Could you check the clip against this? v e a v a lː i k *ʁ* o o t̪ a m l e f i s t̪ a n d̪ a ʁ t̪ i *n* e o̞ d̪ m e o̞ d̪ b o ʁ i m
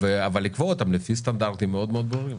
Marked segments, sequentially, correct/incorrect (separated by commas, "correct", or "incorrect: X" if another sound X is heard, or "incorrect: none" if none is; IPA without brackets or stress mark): incorrect: v, incorrect: m